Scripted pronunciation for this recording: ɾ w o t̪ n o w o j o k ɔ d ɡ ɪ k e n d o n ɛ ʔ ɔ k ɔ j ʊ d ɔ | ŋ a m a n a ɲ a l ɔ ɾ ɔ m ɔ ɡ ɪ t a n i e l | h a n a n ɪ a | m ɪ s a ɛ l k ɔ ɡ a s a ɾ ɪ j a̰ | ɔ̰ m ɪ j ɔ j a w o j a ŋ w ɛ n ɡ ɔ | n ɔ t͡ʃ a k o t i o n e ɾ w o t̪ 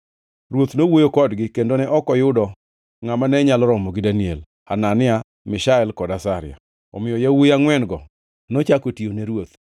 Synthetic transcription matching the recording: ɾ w o t̪ n o w o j o k ɔ d ɡ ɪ k e n d o n ɛ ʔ ɔ k ɔ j ʊ d ɔ | ŋ a m a n ɛ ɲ a l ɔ ɾ ɔ m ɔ ɡ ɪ d a n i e l | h a n a n ɪ a | m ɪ ʃ a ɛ l k ɔ d a s a ɾ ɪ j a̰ | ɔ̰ m ɪ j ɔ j a w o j a ŋ w ɛ n ɡ ɔ | n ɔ t͡ʃ a k o t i o n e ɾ w o t̪